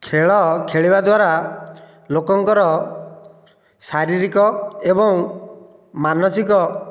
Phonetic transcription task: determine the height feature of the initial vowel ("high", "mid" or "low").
mid